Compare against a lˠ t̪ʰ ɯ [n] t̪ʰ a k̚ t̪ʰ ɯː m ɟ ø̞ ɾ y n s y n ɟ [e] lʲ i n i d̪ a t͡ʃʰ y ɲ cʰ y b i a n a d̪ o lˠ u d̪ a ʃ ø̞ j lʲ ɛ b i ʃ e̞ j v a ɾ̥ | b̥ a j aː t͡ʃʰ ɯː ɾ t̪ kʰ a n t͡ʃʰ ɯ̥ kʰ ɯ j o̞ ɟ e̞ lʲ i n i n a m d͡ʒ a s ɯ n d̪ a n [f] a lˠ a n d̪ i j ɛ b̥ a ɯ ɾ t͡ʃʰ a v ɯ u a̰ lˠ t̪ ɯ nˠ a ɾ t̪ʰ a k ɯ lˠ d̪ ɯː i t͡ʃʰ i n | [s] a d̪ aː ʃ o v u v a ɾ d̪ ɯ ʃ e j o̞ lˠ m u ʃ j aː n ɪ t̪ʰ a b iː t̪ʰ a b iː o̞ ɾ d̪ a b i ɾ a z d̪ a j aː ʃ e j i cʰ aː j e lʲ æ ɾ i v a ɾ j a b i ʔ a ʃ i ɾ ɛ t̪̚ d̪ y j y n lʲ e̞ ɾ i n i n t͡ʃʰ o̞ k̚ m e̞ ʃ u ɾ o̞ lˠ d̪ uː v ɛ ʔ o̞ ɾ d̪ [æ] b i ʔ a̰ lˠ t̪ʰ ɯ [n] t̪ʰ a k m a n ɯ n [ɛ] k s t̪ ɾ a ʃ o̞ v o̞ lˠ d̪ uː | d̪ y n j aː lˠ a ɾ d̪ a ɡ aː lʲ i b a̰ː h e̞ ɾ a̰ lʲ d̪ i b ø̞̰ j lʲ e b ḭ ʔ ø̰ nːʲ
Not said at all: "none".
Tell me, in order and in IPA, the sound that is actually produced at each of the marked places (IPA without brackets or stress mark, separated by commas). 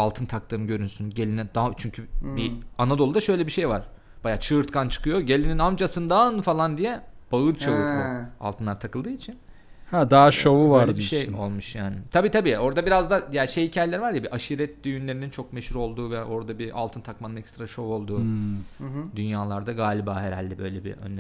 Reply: n, e, f, h, a, n, ɛ